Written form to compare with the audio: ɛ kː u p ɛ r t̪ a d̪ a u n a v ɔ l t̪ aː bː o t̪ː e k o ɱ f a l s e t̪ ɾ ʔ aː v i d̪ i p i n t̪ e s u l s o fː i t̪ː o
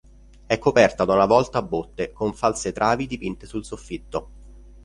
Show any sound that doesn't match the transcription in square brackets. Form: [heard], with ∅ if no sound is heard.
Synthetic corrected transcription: ɛ kː [o] p ɛ r t̪ a d̪ a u n a v ɔ l t̪ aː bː o t̪ː e k o ɱ f a l s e t̪ ɾ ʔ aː v i d̪ i p i n t̪ e s u l s o fː i t̪ː o

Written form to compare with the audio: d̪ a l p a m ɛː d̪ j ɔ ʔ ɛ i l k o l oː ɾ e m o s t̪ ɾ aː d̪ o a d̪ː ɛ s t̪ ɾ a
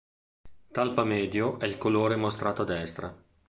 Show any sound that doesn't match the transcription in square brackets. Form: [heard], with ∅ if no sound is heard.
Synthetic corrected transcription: [t̪] a l p a m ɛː d̪ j [o] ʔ ɛ i l k o l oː ɾ e m o s t̪ ɾ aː [t̪] o a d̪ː ɛ s t̪ ɾ a

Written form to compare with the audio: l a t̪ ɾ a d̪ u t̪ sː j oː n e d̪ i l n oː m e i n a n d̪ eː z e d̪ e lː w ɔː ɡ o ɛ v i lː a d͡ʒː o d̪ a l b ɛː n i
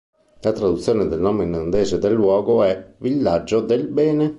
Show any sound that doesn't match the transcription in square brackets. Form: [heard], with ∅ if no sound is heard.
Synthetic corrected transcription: l a t̪ ɾ a d̪ u t̪ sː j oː n e d̪ [e] l n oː m e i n a n d̪ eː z e d̪ e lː w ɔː ɡ o ɛ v i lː a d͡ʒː o d̪ [e] l b ɛː n [e]

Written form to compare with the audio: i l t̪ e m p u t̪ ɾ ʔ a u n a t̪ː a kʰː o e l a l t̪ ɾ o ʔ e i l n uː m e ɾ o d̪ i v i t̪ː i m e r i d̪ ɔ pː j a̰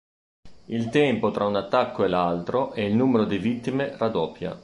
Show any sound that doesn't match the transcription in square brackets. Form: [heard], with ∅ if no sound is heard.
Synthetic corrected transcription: i l t̪ [ɛ] m p [o] t̪ ɾ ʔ a u n a t̪ː a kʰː o e l a l t̪ ɾ o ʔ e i l n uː m e ɾ o d̪ i v i t̪ː i m e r [a] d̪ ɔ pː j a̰

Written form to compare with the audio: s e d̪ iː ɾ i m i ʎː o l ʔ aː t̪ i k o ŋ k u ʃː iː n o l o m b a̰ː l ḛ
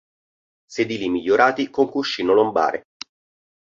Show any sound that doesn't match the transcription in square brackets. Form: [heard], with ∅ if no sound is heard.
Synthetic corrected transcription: s e d̪ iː [l] i m i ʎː o [ɾ] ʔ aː t̪ i k o ŋ k u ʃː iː n o l o m b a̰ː [ɾ] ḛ

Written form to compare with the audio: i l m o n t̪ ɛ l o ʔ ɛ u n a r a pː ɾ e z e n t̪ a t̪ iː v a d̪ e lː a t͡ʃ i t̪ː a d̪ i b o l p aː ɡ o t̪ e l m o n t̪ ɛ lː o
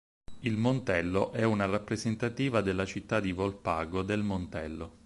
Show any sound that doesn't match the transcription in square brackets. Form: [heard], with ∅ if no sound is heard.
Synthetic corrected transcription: i l m o n t̪ ɛ [lː] o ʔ ɛ u n a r a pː ɾ e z e n t̪ a t̪ iː v a d̪ e lː a t͡ʃ i t̪ː a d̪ i [v] o l p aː ɡ o [d̪] e l m o n t̪ ɛ lː o

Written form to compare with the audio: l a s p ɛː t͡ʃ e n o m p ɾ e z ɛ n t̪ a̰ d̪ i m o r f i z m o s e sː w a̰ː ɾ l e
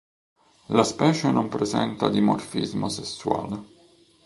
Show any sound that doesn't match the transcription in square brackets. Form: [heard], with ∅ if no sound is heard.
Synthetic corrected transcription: l a s p ɛː t͡ʃ e n o m p ɾ e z ɛ n t̪ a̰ d̪ i m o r f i z m o s e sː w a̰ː [∅] l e

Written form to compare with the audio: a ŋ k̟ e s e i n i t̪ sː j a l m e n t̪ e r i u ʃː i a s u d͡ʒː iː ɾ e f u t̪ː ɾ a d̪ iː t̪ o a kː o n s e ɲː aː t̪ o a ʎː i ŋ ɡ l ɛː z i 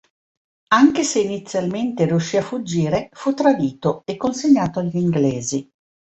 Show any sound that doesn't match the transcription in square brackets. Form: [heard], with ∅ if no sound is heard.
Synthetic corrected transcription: a ŋ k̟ e s e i n i t̪ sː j a l m e n t̪ e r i u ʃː i a [f] u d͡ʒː iː ɾ e f u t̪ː ɾ a d̪ iː t̪ o [e] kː o n s e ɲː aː t̪ o a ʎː i ŋ ɡ l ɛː z i

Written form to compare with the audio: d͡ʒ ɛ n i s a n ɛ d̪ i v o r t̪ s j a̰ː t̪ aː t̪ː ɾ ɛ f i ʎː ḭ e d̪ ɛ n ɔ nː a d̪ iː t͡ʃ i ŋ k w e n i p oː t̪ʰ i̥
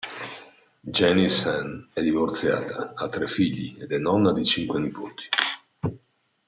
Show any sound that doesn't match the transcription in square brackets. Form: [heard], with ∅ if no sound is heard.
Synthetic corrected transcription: d͡ʒ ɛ n i s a n ɛ d̪ i v o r t̪ s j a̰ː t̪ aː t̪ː ɾ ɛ f i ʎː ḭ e d̪ ɛ n ɔ nː a d̪ [i] t͡ʃ i ŋ k w e n i p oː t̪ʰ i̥

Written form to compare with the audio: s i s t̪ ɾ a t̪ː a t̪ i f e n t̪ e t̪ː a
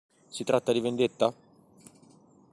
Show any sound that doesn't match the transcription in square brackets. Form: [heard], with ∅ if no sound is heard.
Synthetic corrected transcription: s i [∅] t̪ ɾ a t̪ː a [d̪] i [v] e n [d̪] e t̪ː a

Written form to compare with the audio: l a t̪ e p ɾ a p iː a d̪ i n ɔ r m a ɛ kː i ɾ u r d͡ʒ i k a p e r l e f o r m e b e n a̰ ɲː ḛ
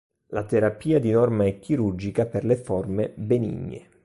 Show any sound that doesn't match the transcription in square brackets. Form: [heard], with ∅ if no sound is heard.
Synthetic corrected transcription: l a t̪ e [∅] ɾ a p iː a d̪ i n ɔ r m a ɛ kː i ɾ u r d͡ʒ i k a p e r l e f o r m e b e n [ḭ] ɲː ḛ

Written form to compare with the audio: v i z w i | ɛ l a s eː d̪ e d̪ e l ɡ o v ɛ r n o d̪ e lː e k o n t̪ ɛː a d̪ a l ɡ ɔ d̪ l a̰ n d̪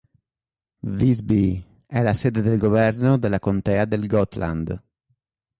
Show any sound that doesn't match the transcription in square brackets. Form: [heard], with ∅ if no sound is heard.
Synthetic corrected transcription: v i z [b] i | ɛ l a s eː d̪ e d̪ e l ɡ o v ɛ r n o d̪ e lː [a] k o n t̪ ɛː a d̪ [e] l ɡ ɔ [t̪] l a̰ n d̪

